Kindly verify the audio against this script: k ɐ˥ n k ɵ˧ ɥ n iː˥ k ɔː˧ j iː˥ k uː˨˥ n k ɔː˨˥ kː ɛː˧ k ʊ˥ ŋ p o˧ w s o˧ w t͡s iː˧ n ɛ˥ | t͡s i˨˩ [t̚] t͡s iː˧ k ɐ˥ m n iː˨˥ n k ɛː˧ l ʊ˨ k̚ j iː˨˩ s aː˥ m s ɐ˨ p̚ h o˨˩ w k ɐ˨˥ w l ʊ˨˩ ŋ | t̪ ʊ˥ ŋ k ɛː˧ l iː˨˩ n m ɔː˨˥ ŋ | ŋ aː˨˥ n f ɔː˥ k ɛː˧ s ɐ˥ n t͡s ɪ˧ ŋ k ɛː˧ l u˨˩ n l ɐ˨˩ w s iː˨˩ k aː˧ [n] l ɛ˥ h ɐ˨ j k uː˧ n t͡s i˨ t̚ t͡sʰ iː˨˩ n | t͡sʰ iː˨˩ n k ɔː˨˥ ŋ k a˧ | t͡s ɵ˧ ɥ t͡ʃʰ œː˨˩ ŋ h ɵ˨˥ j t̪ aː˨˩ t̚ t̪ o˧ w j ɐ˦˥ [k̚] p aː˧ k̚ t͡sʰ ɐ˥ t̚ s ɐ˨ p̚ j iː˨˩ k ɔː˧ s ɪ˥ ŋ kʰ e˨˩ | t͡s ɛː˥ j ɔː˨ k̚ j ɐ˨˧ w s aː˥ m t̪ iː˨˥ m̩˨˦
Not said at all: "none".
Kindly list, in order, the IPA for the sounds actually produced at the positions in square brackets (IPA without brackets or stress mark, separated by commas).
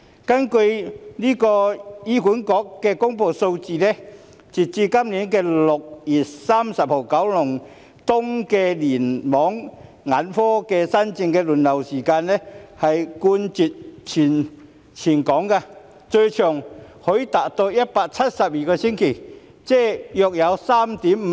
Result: t̚, n, t̚